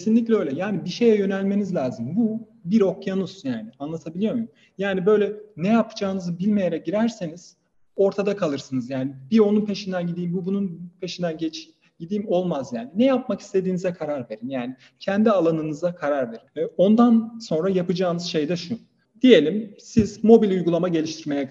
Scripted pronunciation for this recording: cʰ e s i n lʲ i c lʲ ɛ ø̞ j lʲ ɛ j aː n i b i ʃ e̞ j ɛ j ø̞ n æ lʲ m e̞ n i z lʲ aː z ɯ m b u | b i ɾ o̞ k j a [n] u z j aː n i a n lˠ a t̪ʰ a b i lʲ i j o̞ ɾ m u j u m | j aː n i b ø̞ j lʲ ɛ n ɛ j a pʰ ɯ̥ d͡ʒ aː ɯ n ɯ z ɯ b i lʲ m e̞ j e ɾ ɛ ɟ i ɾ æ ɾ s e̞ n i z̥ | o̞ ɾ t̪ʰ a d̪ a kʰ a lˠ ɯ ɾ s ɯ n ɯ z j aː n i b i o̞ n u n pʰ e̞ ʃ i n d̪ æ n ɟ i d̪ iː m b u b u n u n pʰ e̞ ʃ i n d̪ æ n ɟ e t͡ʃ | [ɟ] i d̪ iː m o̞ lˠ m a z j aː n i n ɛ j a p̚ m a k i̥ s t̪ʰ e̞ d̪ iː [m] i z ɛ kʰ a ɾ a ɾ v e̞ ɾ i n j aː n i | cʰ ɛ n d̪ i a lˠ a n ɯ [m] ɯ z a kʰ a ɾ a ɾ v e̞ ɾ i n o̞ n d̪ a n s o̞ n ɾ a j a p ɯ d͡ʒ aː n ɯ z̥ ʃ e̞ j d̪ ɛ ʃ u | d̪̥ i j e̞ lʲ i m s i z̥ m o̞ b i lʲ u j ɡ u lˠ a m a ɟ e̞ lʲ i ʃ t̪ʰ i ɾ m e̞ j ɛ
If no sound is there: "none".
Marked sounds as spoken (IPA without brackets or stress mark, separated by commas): n, ɟ, n, n